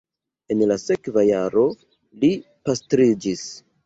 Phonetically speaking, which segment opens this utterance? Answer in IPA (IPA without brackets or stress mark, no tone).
e̞